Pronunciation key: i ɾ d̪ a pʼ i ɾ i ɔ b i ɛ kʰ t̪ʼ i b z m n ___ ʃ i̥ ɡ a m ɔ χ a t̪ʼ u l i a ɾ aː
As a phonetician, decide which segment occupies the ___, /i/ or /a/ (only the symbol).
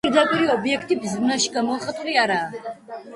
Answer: a